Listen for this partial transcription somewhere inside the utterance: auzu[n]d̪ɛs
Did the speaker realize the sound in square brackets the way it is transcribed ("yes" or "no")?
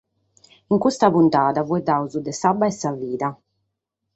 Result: no